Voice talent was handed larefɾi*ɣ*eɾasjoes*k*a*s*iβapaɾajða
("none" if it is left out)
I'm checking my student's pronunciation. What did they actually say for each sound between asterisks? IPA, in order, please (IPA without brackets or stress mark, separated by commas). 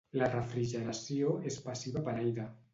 ʒ, p, s